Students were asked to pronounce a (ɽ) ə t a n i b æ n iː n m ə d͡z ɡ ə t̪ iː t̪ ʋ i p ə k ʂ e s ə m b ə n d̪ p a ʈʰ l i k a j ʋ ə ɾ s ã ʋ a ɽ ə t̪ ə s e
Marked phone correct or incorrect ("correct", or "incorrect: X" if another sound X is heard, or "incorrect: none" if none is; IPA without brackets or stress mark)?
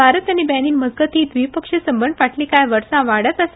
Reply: incorrect: ɾ